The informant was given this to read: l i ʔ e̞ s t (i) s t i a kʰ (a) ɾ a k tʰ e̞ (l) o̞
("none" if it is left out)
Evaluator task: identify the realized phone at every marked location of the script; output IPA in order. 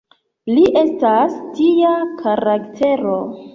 a, a, ɾ

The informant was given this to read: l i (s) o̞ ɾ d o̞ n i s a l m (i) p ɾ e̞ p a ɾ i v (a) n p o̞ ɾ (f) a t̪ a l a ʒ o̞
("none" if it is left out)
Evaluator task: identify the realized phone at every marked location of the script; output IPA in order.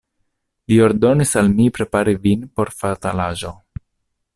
none, i, i, f

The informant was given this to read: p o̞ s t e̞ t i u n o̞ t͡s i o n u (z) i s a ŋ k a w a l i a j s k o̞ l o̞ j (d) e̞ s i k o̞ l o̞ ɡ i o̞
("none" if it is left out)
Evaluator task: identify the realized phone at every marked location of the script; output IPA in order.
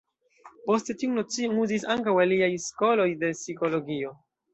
z, d

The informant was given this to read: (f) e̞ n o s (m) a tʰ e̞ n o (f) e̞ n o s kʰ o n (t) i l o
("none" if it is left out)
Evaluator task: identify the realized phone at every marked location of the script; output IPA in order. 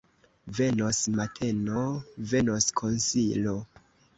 v, m, v, s

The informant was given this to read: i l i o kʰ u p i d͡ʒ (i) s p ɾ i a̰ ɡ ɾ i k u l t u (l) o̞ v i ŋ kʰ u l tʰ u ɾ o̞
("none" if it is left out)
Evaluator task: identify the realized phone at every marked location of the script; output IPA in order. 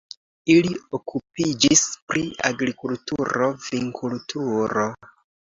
i, ɾ

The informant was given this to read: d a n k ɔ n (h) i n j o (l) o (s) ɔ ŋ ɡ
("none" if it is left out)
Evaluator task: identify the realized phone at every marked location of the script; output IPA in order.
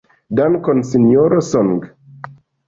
s, ɾ, s

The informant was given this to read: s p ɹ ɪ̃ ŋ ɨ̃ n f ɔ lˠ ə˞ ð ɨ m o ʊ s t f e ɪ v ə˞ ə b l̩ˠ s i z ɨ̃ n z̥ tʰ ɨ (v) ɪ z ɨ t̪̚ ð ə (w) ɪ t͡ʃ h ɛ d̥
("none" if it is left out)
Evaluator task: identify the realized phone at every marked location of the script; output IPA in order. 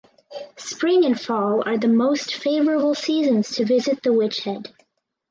v, w

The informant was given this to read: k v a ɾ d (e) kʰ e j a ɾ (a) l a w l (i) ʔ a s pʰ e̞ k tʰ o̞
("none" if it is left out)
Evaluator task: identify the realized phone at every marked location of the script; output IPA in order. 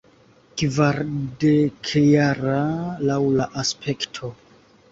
e, a, a

